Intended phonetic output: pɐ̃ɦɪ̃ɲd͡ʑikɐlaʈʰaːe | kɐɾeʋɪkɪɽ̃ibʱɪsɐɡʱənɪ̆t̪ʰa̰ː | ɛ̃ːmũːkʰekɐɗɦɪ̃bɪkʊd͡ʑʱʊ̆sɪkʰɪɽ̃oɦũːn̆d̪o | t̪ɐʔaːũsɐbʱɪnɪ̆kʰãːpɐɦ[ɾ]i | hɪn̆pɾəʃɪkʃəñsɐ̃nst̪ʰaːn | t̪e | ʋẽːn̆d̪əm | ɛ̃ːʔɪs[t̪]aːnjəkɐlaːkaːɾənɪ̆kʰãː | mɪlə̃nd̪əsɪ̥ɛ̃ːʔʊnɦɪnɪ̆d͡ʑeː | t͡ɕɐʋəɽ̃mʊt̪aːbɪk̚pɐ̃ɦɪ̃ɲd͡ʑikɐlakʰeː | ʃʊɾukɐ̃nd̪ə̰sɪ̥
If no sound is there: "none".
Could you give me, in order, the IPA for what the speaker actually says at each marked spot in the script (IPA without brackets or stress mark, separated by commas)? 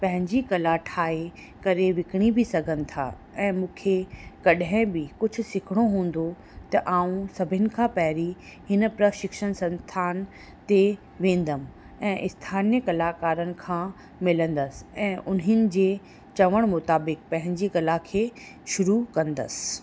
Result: ɾ, t̪ʰ